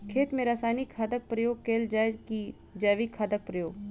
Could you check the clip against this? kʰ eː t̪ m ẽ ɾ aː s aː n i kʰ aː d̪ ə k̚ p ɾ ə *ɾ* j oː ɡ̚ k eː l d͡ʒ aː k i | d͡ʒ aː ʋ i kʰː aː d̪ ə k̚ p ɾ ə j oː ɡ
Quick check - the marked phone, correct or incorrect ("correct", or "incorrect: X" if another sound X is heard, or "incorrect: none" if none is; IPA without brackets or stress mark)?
incorrect: none